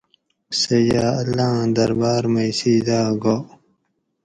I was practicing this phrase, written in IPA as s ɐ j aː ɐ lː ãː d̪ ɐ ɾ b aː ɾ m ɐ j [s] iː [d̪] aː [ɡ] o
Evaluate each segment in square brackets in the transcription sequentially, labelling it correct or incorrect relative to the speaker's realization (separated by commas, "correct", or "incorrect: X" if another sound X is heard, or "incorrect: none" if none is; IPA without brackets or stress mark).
correct, correct, correct